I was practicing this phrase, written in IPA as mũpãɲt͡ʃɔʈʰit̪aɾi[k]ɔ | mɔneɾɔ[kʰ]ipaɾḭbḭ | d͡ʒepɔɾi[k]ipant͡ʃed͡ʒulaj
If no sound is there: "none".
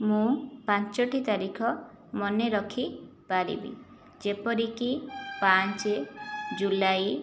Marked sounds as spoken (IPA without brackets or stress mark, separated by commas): kʰ, kʰ, k